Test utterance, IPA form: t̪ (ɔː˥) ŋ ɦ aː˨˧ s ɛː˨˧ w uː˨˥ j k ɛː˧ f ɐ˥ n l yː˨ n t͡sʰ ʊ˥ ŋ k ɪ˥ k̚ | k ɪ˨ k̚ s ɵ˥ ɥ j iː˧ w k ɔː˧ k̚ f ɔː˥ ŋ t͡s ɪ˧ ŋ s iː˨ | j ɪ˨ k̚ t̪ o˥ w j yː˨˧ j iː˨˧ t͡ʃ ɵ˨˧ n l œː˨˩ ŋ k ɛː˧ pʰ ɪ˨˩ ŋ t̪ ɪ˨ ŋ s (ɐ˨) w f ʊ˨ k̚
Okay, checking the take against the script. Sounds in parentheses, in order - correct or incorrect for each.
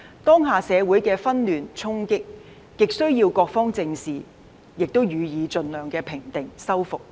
correct, incorrect: ɐ˥

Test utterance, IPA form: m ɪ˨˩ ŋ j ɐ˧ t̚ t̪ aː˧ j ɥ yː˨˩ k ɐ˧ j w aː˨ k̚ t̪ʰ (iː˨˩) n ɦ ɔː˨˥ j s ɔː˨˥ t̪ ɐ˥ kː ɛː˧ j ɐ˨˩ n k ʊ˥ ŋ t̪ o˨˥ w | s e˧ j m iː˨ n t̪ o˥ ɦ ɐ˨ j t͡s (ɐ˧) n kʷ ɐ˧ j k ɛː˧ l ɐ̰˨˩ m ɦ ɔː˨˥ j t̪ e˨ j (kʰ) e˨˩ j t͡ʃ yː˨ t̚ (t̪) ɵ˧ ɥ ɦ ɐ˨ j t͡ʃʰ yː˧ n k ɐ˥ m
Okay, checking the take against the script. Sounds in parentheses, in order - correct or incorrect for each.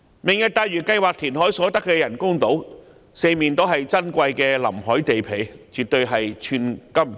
correct, incorrect: ɐ˥, incorrect: pʰ, correct

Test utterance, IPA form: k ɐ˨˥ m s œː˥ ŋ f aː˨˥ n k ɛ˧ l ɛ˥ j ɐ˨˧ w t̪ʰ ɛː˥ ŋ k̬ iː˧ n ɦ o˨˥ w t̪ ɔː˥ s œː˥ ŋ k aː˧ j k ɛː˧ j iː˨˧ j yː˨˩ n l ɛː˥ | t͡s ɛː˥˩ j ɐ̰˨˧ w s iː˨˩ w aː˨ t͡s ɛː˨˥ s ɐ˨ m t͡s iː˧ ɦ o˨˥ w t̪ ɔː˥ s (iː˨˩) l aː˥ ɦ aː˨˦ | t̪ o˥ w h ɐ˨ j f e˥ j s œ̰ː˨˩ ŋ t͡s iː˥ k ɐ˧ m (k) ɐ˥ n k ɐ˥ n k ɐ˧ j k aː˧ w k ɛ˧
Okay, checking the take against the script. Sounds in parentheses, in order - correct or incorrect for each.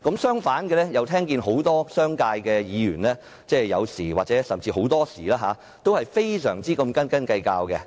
correct, correct

